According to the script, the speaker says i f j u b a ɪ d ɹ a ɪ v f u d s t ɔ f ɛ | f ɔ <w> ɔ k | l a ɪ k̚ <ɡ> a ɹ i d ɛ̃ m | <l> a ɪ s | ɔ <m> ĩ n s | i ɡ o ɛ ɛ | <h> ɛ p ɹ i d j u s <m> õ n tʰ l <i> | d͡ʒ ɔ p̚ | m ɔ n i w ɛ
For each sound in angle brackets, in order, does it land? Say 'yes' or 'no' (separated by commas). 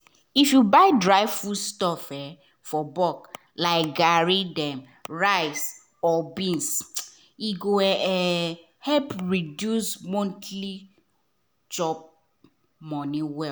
no, yes, no, no, yes, yes, yes